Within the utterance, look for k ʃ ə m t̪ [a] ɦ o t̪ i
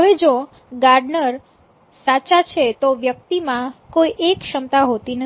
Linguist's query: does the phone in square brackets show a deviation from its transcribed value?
no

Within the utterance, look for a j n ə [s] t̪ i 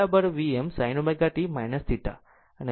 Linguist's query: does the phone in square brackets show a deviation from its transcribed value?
no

